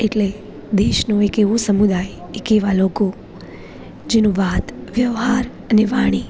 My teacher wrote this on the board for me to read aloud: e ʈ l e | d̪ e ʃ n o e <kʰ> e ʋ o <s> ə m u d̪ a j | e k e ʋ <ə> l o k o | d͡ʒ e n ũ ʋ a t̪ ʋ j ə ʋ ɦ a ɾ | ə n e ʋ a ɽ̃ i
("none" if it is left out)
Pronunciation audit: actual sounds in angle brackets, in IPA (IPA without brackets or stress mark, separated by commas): k, s, a